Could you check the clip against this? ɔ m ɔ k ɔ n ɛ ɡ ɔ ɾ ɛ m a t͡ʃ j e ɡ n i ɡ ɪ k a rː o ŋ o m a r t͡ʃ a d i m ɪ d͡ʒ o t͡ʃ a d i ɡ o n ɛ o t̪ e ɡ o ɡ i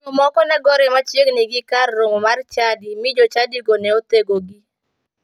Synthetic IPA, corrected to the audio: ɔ m ɔ k ɔ n ɛ ɡ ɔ ɾ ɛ m a t͡ʃ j e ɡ n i ɡ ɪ k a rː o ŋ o m a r t͡ʃ a d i m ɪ d͡ʒ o t͡ʃ a d i ɡ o n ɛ o t̪ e ɡ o ɡ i

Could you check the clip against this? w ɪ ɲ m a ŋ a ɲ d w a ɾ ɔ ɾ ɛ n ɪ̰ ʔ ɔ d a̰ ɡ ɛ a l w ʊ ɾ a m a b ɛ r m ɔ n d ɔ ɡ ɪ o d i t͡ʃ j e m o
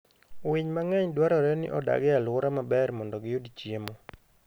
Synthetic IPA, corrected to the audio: w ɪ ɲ m a ŋ ɛ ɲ d w a ɾ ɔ ɾ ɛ n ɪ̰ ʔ ɔ d a̰ ɡ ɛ a l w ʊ ɾ a m a b ɛ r m ɔ n d ɔ ɡ ɪ o d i t͡ʃ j e m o

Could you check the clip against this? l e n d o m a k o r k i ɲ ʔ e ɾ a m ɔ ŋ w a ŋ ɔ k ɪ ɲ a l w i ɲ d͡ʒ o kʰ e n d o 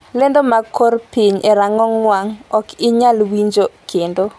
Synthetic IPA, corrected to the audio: l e n d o m a k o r p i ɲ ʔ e ɾ a ŋ ɔ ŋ w a ŋ ɔ k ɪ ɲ a l w i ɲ d͡ʒ o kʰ e n d o

